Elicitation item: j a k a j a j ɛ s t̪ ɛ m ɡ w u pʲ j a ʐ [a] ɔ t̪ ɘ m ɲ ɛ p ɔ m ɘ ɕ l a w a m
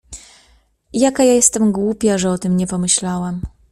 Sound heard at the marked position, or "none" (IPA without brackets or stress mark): ɛ